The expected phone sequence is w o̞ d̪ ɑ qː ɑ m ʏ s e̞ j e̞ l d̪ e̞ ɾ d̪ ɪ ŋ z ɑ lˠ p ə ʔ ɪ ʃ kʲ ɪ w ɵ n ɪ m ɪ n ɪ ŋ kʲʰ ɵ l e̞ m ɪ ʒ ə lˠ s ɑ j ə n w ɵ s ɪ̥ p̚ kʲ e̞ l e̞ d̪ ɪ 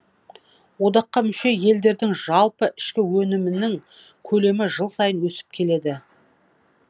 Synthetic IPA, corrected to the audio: w o̞ d̪ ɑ qː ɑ m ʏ ʃ e̞ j e̞ l d̪ e̞ ɾ d̪ ɪ ŋ ʒ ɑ lˠ p ə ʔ ɪ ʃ kʲ ɪ w ɵ n ɪ m ɪ n ɪ ŋ kʲʰ ɵ l e̞ m ɪ ʒ ə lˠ s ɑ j ə n w ɵ s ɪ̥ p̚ kʲʰ e̞ l e̞ d̪ ɪ